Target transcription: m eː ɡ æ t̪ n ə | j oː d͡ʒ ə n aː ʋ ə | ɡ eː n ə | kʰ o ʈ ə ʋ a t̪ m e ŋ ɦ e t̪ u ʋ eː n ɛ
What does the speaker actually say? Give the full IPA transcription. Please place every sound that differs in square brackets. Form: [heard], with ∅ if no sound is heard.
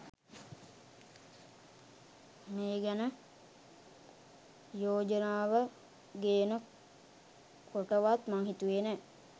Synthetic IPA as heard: m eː ɡ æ [∅] n ə | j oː d͡ʒ ə n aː ʋ ə | ɡ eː n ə | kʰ o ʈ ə ʋ a t̪ m [a] ŋ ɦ [i] t̪ u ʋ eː n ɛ